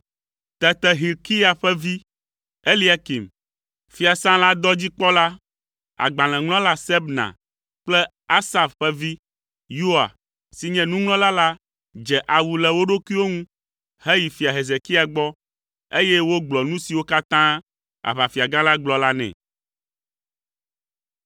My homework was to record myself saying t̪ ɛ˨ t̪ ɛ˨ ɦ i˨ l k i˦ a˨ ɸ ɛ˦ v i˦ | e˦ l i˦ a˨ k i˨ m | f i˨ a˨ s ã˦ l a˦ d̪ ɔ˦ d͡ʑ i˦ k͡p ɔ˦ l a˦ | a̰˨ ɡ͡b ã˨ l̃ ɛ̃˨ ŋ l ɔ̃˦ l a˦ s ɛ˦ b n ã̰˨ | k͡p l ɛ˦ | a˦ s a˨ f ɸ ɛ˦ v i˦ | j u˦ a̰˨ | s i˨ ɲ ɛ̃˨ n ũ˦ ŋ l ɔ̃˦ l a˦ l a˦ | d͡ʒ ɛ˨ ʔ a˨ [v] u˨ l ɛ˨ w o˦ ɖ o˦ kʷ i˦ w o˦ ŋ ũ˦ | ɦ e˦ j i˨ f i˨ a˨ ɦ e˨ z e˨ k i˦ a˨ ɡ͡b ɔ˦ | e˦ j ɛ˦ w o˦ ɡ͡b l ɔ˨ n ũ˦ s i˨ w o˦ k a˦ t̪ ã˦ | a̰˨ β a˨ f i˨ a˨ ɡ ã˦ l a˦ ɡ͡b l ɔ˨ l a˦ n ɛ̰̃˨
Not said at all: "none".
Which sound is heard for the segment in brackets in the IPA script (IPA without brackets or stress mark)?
w